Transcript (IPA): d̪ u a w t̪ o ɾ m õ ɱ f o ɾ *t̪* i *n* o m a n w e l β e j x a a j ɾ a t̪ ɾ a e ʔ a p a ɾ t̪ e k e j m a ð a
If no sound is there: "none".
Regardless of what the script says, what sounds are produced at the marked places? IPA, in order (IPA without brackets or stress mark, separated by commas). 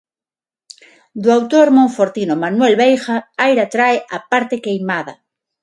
t̪, n